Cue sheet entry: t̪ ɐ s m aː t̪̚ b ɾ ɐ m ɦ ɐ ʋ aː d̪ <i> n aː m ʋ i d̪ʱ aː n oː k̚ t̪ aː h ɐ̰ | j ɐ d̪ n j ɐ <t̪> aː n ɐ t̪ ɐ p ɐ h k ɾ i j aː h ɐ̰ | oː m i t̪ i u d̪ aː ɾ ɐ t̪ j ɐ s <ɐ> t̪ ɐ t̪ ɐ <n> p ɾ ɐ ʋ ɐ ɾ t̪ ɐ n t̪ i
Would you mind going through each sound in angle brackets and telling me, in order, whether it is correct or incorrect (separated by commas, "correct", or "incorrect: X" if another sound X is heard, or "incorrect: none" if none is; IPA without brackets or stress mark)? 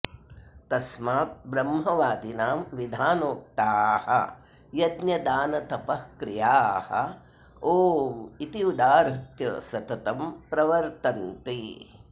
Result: correct, incorrect: d̪, correct, incorrect: m